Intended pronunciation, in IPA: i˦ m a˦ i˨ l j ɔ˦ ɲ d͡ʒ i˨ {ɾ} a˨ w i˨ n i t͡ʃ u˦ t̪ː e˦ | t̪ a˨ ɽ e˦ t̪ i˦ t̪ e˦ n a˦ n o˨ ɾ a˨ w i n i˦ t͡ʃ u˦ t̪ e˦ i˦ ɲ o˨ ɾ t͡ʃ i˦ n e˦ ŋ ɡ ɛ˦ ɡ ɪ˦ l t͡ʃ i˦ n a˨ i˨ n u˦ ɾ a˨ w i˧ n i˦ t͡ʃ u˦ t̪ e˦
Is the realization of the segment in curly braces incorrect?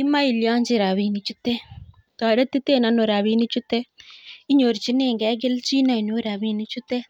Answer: no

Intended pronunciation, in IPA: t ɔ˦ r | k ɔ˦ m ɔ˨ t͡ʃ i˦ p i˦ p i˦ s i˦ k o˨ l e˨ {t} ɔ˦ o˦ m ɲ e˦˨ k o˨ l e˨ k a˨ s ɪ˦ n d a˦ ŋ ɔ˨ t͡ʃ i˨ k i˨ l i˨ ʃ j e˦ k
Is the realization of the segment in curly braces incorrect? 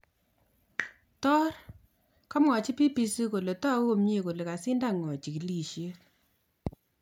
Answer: no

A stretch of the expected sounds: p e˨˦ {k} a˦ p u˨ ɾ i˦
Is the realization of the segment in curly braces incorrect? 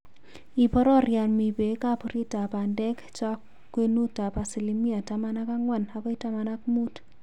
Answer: no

